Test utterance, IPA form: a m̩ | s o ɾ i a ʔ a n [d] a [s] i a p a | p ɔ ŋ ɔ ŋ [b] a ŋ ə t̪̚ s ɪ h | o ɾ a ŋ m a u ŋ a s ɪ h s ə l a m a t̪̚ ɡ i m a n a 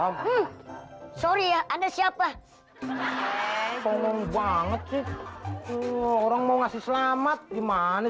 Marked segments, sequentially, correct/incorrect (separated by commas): correct, correct, correct